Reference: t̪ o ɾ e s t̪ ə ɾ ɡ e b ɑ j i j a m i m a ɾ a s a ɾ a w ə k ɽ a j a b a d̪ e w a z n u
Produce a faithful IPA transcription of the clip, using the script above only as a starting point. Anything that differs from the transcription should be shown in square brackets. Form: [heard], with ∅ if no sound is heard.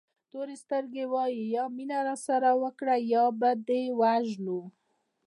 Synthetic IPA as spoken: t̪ o ɾ e s t̪ ə ɾ ɡ e [w] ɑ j i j [ɑ] m i [n] a ɾ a s a ɾ a w ə k ɽ a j [ɑ] b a d̪ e w a [ʒ] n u